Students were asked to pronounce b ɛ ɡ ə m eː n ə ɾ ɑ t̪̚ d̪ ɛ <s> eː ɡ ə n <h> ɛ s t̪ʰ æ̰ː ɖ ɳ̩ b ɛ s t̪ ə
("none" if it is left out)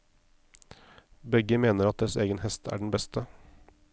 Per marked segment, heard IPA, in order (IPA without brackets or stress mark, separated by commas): s, h